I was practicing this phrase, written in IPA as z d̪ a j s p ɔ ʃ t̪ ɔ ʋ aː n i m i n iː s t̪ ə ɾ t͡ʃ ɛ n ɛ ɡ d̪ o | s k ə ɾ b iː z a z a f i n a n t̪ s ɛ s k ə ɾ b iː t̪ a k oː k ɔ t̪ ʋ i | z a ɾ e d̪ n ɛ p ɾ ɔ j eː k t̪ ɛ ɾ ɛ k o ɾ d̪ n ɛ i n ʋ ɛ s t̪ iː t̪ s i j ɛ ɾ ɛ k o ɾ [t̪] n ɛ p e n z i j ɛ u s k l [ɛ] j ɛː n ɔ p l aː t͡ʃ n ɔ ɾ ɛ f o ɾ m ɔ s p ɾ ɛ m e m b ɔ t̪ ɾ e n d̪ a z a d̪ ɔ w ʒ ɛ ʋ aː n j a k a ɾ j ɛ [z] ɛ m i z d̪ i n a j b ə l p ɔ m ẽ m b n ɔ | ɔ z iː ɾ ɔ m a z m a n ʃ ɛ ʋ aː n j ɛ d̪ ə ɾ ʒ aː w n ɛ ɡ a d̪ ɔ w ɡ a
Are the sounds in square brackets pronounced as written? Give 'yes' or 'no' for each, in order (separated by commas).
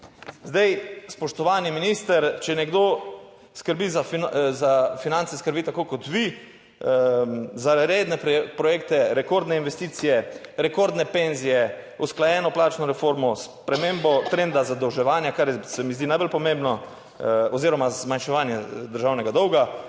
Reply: no, no, no